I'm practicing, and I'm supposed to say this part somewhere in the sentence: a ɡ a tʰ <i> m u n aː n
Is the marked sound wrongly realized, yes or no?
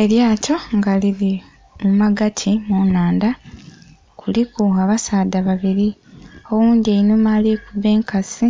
no